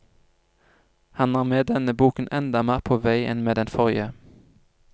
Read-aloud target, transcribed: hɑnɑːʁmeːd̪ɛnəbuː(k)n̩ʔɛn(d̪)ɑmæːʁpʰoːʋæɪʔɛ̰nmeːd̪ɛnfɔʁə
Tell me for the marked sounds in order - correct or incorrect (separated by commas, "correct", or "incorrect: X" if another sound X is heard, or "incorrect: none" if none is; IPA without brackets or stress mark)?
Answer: correct, correct